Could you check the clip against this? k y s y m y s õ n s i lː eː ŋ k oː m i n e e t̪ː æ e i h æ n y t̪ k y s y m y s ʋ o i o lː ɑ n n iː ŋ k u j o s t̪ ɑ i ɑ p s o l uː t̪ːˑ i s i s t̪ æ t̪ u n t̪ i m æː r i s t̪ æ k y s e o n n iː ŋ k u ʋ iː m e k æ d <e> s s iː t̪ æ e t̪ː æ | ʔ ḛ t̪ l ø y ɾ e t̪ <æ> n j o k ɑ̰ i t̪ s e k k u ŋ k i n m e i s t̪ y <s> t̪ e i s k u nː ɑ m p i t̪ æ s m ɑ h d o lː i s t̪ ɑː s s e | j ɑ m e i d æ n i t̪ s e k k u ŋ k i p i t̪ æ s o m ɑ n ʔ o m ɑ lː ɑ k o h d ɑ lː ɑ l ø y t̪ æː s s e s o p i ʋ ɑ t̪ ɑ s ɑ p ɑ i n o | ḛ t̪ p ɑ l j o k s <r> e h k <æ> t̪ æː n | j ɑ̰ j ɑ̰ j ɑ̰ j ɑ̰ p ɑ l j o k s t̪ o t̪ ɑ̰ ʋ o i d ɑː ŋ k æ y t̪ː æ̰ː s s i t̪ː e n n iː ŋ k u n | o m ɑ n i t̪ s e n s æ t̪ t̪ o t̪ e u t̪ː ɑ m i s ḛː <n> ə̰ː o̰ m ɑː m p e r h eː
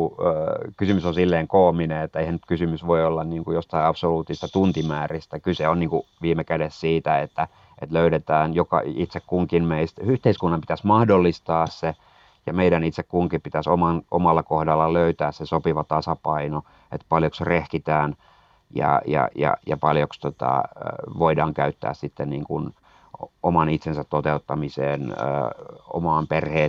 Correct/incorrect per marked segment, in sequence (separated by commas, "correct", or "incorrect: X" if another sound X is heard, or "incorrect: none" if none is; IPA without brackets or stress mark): correct, incorrect: æː, incorrect: h, correct, incorrect: i, correct